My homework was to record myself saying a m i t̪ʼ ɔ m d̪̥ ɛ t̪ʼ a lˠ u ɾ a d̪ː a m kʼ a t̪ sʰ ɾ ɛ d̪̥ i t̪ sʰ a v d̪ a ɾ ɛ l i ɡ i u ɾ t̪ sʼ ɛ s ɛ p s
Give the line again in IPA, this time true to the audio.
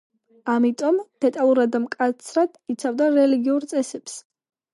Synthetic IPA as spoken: a m i t̪ʼ ɔ m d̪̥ ɛ t̪ʼ a lˠ u ɾ a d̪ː a m kʼ a t̪ sʰ ɾ a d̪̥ i t̪ sʰ a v d̪ a ɾ ɛ l i ɡ i u ɾ t̪ sʼ ɛ s ɛ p s